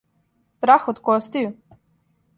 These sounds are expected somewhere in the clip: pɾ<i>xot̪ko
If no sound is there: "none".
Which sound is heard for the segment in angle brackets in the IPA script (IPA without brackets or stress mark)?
a